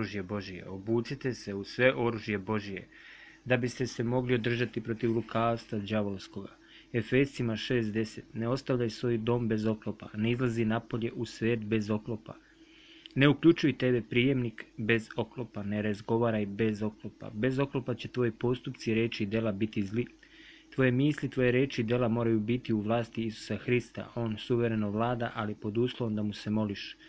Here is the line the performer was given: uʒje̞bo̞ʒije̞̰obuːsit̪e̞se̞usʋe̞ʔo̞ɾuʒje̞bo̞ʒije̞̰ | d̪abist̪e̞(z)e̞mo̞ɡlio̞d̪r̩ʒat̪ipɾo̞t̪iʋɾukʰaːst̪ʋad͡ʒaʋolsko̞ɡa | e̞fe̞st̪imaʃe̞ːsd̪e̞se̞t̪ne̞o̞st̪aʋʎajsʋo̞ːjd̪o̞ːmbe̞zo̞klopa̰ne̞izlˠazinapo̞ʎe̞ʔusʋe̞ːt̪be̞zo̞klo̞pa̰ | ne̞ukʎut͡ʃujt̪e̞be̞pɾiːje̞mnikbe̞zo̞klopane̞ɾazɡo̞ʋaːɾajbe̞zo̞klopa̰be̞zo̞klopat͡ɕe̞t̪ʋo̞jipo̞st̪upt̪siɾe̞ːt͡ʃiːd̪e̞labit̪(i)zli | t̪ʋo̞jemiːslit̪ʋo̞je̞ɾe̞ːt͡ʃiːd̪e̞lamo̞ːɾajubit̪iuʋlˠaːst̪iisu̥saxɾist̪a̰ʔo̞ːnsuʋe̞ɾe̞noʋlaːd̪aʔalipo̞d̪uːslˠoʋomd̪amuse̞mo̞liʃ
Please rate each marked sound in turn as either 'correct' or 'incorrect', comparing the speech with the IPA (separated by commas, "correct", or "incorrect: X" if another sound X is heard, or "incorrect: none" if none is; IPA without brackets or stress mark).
incorrect: s, correct